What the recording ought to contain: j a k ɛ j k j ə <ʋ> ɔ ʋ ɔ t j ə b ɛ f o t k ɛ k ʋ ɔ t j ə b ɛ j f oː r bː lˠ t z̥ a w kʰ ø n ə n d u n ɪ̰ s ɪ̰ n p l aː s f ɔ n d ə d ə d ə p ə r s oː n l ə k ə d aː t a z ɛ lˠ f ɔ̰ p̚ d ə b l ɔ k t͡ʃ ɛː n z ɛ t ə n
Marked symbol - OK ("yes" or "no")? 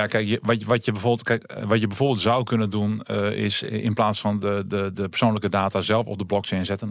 yes